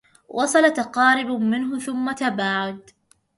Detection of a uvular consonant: present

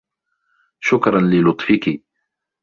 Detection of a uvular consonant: absent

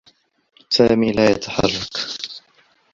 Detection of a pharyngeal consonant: present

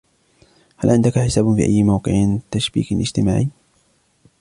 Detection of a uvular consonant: present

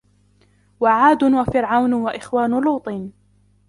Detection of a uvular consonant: absent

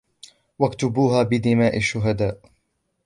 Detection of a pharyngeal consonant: absent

